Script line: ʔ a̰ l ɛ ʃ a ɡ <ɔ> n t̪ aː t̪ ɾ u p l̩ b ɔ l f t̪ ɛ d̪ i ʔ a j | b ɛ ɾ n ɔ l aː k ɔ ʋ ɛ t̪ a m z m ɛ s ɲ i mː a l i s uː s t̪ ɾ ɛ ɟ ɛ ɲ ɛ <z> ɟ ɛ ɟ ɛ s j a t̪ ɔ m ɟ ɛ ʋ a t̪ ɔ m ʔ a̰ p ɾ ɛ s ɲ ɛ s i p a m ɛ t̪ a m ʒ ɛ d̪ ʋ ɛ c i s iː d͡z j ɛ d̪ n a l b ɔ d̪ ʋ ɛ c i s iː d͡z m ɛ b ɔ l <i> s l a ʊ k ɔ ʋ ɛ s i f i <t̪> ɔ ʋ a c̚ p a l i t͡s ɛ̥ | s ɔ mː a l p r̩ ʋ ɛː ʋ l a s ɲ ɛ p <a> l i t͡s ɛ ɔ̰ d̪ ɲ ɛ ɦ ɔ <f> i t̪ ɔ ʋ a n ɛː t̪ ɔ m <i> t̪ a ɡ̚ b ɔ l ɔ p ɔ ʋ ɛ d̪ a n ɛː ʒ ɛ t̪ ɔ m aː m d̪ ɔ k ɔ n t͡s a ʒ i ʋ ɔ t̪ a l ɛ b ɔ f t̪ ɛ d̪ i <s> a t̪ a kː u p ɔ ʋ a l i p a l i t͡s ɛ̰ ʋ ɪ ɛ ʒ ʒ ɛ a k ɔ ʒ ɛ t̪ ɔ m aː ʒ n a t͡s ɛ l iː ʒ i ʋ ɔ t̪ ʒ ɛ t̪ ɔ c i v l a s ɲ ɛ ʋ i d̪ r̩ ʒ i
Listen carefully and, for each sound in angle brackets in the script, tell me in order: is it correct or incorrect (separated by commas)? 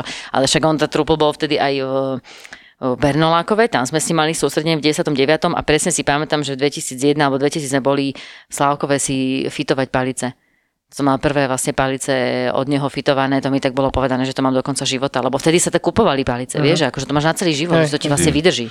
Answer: correct, incorrect, correct, correct, correct, correct, correct, correct